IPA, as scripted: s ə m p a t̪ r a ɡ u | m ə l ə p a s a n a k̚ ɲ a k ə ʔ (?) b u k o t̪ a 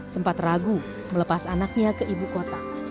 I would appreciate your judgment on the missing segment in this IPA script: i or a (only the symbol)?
i